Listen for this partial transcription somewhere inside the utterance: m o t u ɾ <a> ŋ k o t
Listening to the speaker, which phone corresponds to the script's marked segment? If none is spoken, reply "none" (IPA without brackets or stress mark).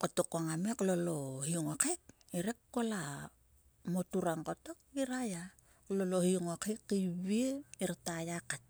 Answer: a